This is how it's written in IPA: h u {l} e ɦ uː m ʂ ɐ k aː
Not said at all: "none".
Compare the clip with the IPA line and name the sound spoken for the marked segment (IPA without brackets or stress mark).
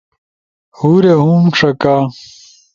ɾ